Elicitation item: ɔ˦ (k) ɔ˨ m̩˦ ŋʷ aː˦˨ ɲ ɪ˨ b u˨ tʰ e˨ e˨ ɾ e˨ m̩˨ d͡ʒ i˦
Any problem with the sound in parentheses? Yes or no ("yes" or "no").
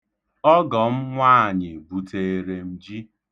yes